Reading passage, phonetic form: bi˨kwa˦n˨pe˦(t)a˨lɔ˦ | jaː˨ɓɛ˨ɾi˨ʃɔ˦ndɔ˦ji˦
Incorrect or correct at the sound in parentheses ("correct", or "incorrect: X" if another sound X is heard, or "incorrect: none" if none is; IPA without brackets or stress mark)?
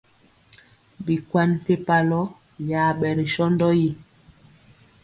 incorrect: p